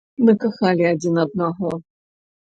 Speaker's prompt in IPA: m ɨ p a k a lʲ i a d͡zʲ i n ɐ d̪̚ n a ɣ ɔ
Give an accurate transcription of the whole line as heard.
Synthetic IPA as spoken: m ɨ k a x a lʲ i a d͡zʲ i n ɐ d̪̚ n a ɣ ɔ